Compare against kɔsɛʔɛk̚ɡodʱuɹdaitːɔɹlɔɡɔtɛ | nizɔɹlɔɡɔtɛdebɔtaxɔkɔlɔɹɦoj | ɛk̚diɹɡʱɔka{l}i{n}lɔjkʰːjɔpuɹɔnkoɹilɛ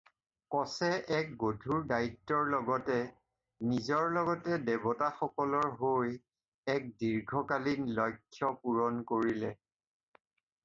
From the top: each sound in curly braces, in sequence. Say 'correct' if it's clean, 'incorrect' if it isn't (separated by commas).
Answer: correct, correct